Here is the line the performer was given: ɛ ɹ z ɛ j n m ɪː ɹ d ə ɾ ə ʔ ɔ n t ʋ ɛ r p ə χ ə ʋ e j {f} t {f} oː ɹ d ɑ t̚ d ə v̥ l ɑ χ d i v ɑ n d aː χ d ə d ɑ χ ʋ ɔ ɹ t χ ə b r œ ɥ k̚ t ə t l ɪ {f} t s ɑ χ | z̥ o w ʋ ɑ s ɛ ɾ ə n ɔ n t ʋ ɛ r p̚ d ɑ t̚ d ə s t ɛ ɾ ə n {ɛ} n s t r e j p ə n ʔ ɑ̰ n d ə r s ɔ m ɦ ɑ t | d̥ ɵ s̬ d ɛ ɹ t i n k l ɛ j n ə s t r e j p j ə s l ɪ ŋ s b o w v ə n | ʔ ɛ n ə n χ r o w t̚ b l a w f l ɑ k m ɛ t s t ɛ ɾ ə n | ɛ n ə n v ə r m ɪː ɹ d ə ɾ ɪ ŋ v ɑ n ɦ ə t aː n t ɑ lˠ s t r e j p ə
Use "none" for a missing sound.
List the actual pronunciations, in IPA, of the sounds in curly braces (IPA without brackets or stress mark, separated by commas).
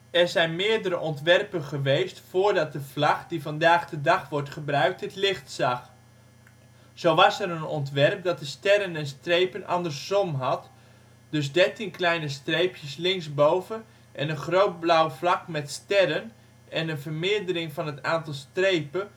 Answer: s, f, χ, ɛ